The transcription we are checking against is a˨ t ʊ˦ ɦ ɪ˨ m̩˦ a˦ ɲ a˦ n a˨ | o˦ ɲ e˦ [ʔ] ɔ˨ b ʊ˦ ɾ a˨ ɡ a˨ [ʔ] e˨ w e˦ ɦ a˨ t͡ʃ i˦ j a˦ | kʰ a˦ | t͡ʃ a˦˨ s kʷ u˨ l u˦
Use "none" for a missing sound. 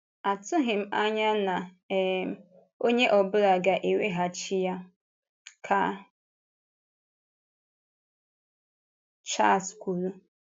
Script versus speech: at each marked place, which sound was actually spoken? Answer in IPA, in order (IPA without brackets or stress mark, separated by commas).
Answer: ʔ, ʔ